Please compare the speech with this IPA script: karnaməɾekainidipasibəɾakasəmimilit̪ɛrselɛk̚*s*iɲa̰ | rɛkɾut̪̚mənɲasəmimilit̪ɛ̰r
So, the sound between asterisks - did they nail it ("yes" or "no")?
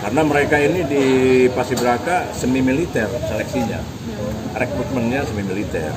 yes